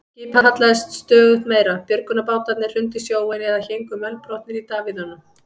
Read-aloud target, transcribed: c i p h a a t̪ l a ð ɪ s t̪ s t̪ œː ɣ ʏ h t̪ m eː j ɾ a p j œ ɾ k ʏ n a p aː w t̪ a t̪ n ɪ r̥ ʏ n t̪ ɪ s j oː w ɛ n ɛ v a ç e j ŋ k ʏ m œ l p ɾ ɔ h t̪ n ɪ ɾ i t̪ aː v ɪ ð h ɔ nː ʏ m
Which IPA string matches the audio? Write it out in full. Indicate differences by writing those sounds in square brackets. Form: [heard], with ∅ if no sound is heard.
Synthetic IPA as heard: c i p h a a t̪ l a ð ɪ s t̪ s t̪ œː ɣ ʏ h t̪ m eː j ɾ a p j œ ɾ k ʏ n a p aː w t̪ a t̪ n ɪ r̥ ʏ n t̪ ɪ s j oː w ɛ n ɛ [ð] a ç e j ŋ k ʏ m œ l p ɾ ɔ h t̪ n ɪ ɾ i t̪ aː v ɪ ð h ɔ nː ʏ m